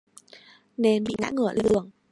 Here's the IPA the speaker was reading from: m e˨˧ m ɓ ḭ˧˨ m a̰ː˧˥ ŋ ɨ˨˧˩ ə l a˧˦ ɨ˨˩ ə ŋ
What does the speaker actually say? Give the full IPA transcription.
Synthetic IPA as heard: n e˨˧ n ɓ ḭ˧˨ ŋ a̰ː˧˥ ŋ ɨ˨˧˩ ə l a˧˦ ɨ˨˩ ə ŋ